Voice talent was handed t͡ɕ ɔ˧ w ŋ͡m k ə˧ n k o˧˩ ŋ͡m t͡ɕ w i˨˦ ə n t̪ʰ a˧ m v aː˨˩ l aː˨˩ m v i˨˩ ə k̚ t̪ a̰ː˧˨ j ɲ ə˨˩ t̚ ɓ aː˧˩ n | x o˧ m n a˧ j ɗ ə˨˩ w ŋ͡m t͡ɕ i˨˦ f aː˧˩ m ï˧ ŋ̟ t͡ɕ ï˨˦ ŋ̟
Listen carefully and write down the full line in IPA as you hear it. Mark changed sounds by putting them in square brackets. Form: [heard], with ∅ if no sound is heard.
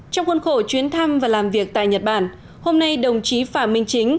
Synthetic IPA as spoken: t͡ɕ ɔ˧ w ŋ͡m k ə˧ n [x] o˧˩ [∅] t͡ɕ w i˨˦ ə n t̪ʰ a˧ m v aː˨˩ l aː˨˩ m v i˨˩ ə k̚ t̪ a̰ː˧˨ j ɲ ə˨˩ t̚ ɓ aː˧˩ n | [h] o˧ m n a˧ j ɗ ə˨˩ w ŋ͡m t͡ɕ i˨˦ f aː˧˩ m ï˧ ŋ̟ t͡ɕ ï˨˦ ŋ̟